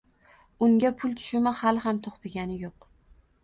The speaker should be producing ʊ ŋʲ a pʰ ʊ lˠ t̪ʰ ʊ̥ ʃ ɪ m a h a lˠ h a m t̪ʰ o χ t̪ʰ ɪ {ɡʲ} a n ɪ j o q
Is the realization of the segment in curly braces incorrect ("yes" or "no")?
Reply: no